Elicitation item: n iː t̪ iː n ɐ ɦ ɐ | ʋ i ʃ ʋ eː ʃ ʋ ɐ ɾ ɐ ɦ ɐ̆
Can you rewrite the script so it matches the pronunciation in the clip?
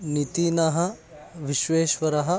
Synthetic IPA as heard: n i t̪ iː n ɐ ɦ ɐ | ʋ i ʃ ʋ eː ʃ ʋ ɐ ɾ ɐ ɦ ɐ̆